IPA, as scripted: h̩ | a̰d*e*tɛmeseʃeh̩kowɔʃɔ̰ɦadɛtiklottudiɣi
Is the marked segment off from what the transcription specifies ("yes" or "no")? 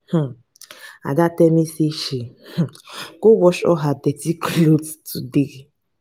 yes